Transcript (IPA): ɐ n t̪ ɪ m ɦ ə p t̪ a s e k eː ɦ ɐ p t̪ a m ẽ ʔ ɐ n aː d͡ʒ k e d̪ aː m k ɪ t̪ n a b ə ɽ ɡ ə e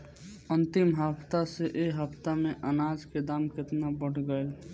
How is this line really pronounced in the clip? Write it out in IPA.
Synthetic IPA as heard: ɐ n t̪ ɪ m ɦ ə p t̪ a s e ʔ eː ɦ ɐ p t̪ a m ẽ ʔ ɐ n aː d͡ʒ k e d̪ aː m k ɪ t̪ n a b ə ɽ ɡ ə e

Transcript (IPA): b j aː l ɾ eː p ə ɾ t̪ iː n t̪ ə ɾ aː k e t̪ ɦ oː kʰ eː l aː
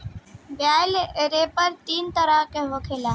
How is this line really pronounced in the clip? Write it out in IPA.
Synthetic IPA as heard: b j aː l ɾ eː p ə ɾ t̪ iː n t̪ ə ɾ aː k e ɦ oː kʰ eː l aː

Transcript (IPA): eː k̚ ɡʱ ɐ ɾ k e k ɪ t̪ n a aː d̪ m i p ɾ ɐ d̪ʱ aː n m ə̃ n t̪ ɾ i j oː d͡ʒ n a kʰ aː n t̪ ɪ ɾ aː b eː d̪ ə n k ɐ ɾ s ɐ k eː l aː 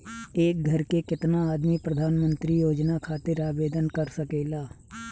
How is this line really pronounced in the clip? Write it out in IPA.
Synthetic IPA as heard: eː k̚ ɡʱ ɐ ɾ k e k ɪ t̪ n a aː d̪ m i p ɾ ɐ d̪ʱ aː n m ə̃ n t̪ ɾ i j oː d͡ʒ n a kʰ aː t̪ ɪ ɾ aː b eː d̪ ə n k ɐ ɾ s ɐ k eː l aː

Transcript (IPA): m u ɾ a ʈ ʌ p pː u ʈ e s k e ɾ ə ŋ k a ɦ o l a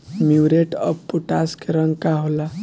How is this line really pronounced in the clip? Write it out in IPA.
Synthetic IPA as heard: m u ɾ e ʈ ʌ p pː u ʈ a s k e ɾ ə ŋ k a ɦ o l a

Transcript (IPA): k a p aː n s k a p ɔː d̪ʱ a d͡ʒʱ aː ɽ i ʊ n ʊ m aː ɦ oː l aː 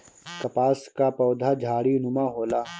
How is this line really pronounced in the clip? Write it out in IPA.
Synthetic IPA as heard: k ɐ p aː s k a p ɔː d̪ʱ a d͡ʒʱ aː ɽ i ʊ n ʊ m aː ɦ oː l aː

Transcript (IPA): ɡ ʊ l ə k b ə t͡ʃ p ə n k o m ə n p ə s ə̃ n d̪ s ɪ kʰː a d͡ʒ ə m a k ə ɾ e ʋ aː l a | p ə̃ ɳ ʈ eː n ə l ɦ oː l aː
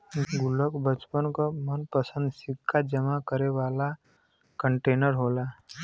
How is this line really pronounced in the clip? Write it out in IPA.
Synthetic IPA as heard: ɡ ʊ l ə k b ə t͡ʃ p ə n k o m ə n p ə s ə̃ n d̪ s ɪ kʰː a d͡ʒ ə m a k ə ɾ e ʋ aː l a | k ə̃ ɳ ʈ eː n ə ɾ ɦ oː l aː

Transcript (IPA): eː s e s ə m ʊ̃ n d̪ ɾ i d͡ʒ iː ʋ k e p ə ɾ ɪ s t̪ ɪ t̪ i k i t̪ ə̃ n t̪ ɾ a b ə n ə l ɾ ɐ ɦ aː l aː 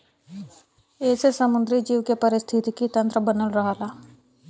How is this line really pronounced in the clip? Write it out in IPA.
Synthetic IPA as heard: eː s e s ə m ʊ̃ n d̪ ɾ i d͡ʒ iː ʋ k e p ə ɾ ɪ s t̪ʰ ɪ t̪ i k i t̪ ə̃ n t̪ ɾ ə b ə n ə l ɾ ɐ ɦ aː l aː

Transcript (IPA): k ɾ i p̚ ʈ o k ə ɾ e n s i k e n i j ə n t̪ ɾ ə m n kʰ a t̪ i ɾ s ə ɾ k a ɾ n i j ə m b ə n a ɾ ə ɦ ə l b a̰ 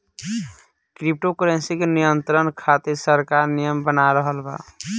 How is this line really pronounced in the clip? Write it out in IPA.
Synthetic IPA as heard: k ɾ i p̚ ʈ o k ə ɾ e n s i k e n i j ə n t̪ ɾ ə n kʰ a t̪ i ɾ s ə ɾ k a ɾ n i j ə m b ə n a ɾ ə ɦ ə l b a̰

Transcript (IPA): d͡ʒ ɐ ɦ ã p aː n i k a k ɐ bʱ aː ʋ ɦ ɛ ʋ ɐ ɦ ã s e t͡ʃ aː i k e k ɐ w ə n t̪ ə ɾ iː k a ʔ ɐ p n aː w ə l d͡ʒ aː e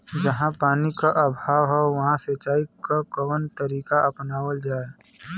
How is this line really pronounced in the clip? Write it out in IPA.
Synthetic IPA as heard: d͡ʒ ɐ ɦ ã p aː n i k a ʔ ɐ bʱ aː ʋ ɦ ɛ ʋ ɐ ɦ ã s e t͡ʃ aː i k a k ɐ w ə n t̪ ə ɾ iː k a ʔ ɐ p n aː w ə l d͡ʒ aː e

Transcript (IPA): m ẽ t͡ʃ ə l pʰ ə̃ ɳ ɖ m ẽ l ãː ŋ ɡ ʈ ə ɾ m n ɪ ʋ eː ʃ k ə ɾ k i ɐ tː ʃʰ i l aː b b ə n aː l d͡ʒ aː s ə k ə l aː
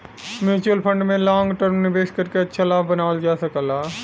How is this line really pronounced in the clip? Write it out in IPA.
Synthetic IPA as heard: m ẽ t͡ʃ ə l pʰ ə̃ ɳ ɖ m ẽ l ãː ŋ ɡ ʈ ə ɾ m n ɪ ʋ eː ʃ k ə ɾ k e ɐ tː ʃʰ a l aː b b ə n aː l d͡ʒ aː s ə k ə l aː

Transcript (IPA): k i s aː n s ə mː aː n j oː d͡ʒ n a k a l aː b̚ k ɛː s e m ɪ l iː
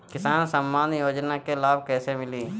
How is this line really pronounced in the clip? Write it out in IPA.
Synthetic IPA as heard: k ɪ s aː n s ə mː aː n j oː d͡ʒ n a k e l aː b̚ k ɛː s e m ɪ l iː

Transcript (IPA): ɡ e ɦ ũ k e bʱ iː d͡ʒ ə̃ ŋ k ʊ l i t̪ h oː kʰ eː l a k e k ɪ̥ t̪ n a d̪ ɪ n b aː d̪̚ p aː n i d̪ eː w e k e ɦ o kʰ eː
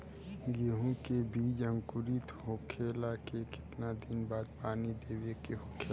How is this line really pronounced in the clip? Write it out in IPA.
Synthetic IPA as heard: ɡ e ɦ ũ k e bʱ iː d͡ʒ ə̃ ŋ k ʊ ɾ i t̪ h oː kʰ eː l a k e k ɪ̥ t̪ n a d̪ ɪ n b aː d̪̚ p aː n i d̪ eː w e k e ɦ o kʰ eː

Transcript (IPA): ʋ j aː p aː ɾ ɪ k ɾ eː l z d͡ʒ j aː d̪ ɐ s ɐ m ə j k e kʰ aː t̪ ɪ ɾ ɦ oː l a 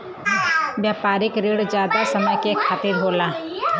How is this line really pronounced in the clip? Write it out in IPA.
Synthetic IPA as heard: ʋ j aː p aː ɾ ɪ k ɾ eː ɽ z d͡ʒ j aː d̪ a s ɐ m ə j k e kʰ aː t̪ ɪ ɾ ɦ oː l a

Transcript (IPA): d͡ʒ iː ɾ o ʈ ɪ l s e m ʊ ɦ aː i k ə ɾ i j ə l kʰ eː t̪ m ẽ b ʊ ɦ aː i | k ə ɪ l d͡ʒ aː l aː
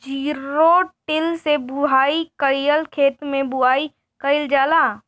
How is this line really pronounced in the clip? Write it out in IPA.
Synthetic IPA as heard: d͡ʒ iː ɾ o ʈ ɪ l s e b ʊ ɦ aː i k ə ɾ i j ə l kʰ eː t̪ m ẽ b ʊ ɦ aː i | k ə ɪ l d͡ʒ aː l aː

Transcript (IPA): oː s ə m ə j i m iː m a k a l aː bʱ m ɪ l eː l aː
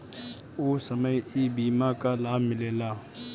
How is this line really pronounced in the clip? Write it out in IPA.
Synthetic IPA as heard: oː s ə m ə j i b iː m a k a l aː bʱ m ɪ l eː l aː

